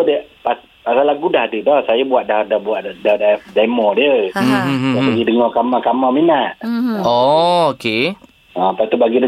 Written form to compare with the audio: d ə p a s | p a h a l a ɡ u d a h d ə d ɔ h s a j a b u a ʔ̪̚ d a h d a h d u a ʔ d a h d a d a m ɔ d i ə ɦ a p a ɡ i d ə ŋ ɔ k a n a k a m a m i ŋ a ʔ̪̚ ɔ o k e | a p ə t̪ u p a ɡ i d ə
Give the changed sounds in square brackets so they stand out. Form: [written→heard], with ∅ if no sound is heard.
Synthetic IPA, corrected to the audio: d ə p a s | p a [h→s] a l a ɡ u d a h d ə d ɔ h s a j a b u a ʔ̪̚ d a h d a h [d→b] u a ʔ d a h d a d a m ɔ d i ə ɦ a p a ɡ i d ə ŋ ɔ k a [n→m] a k a m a m i [ŋ→n] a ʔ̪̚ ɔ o k e | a p [ə→a] t̪ u [p→b] a ɡ i d ə